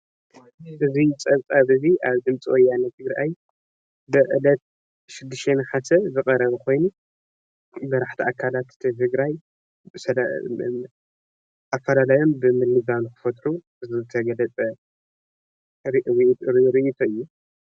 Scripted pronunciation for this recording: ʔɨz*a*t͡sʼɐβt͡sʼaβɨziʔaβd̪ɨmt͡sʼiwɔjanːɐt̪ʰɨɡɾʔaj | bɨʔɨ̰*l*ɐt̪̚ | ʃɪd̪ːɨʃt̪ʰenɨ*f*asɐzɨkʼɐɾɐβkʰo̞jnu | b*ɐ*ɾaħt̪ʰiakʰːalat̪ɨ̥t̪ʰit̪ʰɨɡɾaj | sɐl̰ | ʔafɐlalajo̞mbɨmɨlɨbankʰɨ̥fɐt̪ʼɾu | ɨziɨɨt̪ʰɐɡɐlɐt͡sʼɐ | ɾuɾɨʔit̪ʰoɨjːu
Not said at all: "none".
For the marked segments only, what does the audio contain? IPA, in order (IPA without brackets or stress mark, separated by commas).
i, l, ħ, ɐ